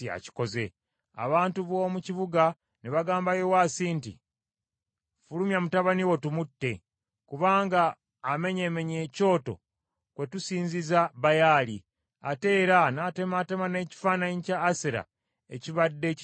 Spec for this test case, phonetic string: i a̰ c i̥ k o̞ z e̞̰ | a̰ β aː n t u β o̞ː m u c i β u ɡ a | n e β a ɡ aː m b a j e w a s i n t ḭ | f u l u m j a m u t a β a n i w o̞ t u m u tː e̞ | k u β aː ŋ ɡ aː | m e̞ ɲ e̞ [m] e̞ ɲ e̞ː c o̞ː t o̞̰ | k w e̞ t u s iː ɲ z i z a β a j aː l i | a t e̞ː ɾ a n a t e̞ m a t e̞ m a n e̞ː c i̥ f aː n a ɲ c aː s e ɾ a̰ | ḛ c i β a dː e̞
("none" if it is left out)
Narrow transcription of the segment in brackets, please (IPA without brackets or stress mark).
m